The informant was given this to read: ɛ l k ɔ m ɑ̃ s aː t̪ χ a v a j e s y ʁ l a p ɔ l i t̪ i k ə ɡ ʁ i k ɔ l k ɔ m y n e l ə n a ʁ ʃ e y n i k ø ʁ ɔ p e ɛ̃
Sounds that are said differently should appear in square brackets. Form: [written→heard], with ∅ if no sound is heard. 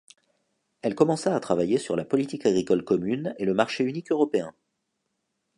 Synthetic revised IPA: ɛ l k ɔ m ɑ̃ s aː t̪ χ a v a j e s y ʁ l a p ɔ l i t̪ i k [ə→a] ɡ ʁ i k ɔ l k ɔ m y n e l ə [n→m] a ʁ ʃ e y n i k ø ʁ ɔ p e ɛ̃

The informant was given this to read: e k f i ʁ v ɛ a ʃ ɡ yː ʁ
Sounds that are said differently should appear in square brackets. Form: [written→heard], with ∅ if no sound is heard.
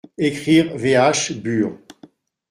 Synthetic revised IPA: e k [f→χ] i ʁ v [ɛ→e] a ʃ [ɡ→b] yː ʁ

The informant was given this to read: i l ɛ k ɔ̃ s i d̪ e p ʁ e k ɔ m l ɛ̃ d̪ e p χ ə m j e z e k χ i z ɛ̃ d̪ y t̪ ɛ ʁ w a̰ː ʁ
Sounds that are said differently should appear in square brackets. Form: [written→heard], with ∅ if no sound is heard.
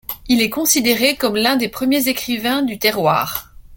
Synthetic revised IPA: i l ɛ k ɔ̃ s i d̪ e [p→∅] ʁ e k ɔ m l ɛ̃ d̪ e p χ ə m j e z e k χ i [z→v] ɛ̃ d̪ y t̪ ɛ ʁ w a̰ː ʁ

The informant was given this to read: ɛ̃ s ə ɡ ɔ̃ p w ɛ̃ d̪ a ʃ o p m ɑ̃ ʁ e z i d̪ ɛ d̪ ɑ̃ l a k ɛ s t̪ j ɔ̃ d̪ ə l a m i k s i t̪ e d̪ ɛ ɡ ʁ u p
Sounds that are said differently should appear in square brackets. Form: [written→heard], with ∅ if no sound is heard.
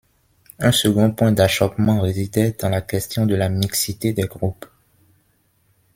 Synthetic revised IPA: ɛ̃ s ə ɡ ɔ̃ p w ɛ̃ d̪ a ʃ [o→ɔ] p m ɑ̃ ʁ e z i d̪ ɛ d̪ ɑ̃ l a k ɛ s t̪ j ɔ̃ d̪ ə l a m i k s i t̪ e d̪ ɛ ɡ ʁ u p

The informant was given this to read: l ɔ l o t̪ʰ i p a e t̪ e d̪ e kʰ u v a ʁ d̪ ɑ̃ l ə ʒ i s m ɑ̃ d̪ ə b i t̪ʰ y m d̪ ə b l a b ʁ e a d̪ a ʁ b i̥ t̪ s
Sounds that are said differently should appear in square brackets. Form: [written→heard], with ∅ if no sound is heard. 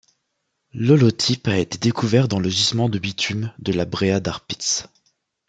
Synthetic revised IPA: l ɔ l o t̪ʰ i p a e t̪ e d̪ e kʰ u v [a→ɛ] ʁ d̪ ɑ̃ l ə ʒ i s m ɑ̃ d̪ ə b i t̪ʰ y m d̪ ə [b→∅] l a b ʁ e a d̪ a ʁ [b→p] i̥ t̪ s

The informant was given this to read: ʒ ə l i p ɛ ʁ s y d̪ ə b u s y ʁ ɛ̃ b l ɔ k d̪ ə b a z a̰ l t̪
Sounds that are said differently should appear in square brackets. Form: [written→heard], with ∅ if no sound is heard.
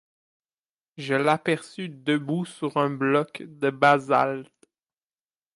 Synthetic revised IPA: ʒ ə l [i→a] p ɛ ʁ s y d̪ ə b u s y ʁ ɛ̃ b l ɔ k d̪ ə b a z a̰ l t̪

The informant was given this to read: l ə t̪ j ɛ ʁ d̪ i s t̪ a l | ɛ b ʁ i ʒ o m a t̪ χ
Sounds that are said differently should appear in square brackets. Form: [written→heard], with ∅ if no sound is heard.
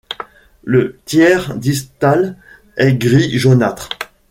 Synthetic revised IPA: l ə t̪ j ɛ ʁ d̪ i s t̪ a l | ɛ [b→ɡ] ʁ i ʒ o [m→n] a t̪ χ

